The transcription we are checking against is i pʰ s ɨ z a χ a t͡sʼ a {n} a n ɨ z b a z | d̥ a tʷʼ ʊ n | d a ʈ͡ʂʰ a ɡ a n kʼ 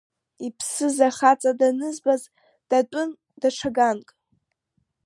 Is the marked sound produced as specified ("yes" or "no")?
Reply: no